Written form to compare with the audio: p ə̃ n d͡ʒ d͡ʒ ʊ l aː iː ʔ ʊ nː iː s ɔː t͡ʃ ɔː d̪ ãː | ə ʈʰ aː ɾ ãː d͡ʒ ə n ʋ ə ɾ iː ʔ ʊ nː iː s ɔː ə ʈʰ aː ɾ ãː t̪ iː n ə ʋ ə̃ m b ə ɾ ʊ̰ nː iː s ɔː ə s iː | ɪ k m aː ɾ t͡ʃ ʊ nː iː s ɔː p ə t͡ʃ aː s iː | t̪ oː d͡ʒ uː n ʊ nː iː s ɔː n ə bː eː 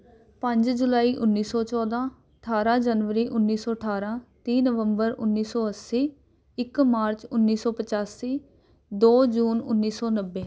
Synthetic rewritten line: p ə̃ ɲ d͡ʒ d͡ʒ ʊ l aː iː ʔ ʊ nː iː s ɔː t͡ʃ ɔː d̪ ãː | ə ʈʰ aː ɾ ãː d͡ʒ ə n ʋ ə ɾ iː ʔ ʊ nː iː s ɔː ə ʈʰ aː ɾ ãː t̪ iː n ə ʋ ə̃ m b ə ɾ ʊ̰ nː iː s ɔː ə s iː | ɪ k m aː ɾ t͡ʃ ʊ nː iː s ɔː p ə t͡ʃ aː s iː | d̪ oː d͡ʒ uː n ʊ nː iː s ɔː n ə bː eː